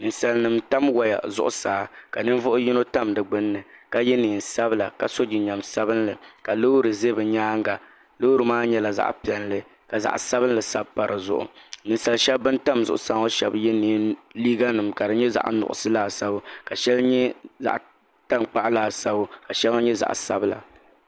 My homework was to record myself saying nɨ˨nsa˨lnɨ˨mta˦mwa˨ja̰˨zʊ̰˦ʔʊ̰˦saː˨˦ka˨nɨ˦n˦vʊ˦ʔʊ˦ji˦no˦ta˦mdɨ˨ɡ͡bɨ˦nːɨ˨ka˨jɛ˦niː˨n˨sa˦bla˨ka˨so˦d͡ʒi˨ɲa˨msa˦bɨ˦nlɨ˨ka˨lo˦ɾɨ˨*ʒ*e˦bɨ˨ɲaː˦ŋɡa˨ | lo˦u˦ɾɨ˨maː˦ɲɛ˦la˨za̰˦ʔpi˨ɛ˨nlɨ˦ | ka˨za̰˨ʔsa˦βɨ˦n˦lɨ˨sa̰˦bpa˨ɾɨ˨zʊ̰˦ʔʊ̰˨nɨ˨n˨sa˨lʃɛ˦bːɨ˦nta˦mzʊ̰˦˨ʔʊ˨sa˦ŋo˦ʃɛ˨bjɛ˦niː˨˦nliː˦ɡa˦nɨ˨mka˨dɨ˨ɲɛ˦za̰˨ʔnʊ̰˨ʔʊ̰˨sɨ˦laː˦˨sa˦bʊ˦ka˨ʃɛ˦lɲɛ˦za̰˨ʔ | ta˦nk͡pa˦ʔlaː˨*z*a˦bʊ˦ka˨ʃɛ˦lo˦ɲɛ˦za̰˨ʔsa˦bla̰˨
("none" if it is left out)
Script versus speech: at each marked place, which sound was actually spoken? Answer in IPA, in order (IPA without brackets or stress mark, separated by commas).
z, s